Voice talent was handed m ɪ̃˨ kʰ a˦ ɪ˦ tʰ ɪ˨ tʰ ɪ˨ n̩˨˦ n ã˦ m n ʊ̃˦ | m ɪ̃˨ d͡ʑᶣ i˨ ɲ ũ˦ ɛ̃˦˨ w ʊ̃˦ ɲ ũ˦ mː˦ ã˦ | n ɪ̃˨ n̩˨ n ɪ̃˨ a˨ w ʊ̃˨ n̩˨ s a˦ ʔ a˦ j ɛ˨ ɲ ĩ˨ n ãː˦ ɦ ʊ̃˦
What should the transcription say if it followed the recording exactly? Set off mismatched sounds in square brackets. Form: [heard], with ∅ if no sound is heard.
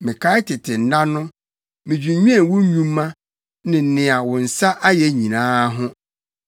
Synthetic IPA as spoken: m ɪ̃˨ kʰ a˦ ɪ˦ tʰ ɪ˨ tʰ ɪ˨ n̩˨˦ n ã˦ [∅] n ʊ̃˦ | m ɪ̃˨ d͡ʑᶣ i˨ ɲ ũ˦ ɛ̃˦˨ w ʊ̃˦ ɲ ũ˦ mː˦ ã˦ | n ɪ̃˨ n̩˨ n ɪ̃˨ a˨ w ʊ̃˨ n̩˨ s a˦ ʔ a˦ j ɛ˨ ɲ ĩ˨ n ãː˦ ɦ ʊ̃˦